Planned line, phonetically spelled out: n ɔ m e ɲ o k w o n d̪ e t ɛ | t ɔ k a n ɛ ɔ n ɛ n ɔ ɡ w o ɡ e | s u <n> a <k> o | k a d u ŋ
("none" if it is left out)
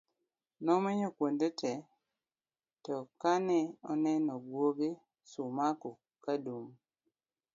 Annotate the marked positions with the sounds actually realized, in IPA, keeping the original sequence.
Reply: m, k

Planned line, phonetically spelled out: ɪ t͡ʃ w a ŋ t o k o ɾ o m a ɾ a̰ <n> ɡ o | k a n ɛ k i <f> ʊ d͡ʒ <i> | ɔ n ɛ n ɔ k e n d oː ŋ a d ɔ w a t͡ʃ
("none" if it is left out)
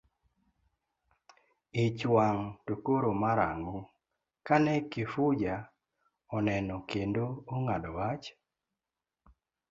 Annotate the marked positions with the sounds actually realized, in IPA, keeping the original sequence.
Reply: ŋ, f, a

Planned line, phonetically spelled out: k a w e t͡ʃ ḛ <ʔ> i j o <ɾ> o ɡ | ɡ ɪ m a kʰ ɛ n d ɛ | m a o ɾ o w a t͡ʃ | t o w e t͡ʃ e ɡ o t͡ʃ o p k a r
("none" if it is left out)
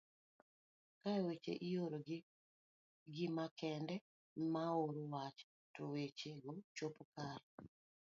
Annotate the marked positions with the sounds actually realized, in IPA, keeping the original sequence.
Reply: ʔ, ɾ

